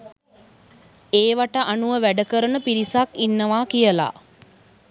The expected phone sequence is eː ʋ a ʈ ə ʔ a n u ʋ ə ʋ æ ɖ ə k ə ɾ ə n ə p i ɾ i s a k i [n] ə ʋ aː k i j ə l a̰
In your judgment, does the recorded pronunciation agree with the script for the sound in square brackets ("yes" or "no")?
no